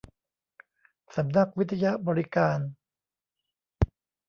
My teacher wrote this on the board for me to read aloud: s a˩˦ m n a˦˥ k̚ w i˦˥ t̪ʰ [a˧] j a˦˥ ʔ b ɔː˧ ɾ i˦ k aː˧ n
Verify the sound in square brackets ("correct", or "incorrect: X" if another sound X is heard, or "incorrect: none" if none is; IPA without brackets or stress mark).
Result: correct